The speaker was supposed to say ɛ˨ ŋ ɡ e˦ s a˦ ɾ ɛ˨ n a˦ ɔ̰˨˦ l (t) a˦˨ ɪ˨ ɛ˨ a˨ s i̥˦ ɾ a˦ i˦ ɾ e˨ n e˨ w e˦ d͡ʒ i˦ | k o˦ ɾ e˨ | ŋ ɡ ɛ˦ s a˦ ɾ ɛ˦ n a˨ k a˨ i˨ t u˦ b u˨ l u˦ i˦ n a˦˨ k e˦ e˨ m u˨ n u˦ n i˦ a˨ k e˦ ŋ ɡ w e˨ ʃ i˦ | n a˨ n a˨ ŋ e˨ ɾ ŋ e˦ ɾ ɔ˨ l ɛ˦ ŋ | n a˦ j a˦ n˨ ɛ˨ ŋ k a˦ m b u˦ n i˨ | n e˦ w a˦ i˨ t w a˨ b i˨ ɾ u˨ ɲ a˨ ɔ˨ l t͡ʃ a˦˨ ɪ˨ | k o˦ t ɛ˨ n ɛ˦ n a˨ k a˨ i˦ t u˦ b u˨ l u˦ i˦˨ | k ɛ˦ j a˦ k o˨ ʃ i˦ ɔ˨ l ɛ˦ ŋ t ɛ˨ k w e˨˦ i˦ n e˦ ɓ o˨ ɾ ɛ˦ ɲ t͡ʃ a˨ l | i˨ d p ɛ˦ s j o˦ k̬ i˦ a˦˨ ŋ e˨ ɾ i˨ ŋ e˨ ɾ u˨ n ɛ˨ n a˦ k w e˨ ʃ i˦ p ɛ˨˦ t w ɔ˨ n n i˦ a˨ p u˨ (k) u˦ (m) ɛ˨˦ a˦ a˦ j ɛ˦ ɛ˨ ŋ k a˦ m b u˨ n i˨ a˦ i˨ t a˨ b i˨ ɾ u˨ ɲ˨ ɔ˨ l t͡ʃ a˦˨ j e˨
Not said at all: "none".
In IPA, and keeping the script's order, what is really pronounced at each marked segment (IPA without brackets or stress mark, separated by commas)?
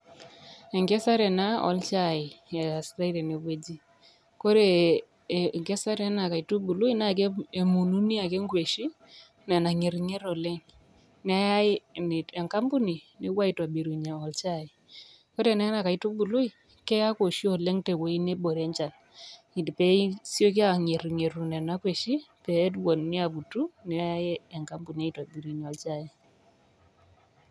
t͡ʃ, t, n